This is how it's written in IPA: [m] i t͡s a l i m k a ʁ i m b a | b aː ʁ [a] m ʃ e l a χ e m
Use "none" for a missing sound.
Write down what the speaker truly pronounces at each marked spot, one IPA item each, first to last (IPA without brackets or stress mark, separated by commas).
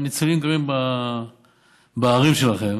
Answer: n, i